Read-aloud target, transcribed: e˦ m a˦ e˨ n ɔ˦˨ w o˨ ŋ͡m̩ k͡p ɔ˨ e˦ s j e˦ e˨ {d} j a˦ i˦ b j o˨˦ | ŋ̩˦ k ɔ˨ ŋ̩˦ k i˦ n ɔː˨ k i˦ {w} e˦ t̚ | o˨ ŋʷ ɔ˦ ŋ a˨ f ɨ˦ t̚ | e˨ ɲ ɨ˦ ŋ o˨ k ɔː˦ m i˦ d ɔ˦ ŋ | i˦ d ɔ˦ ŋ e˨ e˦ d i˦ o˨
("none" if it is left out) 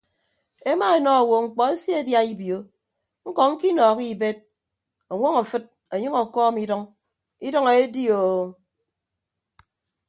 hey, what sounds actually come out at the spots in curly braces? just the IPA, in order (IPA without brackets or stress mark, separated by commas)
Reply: d, b